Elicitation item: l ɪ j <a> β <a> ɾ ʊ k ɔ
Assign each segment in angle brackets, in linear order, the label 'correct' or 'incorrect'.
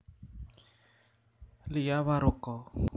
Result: correct, correct

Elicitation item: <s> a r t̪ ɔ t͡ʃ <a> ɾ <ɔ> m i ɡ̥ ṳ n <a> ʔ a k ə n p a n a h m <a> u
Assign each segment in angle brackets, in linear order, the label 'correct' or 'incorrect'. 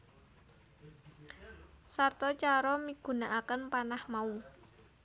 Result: correct, correct, correct, correct, correct

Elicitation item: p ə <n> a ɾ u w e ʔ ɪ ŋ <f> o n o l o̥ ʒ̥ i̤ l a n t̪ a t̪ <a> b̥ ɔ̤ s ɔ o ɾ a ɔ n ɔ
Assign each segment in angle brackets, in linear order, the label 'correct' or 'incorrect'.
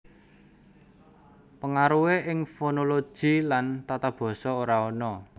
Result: incorrect: ŋ, correct, correct

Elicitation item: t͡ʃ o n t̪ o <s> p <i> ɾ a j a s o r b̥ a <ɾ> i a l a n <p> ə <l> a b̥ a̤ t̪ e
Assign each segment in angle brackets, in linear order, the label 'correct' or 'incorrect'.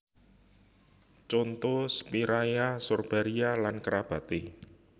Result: correct, correct, correct, incorrect: k, incorrect: ɾ

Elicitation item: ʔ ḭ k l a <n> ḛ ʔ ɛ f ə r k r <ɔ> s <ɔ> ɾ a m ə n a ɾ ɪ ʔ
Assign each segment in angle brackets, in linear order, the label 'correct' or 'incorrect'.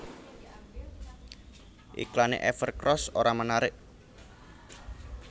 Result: correct, correct, incorrect: o

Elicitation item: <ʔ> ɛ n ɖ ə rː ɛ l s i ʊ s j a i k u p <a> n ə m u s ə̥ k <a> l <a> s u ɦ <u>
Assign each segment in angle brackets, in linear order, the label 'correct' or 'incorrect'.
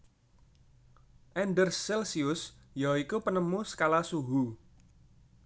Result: correct, incorrect: ə, correct, correct, correct

